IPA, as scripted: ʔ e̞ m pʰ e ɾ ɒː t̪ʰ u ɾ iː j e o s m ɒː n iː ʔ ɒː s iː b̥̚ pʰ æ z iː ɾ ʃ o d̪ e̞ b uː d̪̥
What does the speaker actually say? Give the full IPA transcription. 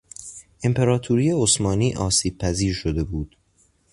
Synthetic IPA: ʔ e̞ m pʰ e ɾ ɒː t̪ʰ u ɾ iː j e o s m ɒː n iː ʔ ɒː s iː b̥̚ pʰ æ z iː ɾ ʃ o d̪ e̞ b uː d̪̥